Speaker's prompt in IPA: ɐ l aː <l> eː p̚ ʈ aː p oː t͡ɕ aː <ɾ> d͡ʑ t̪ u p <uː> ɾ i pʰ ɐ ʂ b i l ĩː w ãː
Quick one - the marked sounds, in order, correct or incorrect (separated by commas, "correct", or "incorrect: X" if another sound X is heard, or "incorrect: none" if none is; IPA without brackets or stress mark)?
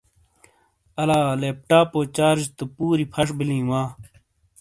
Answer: correct, correct, correct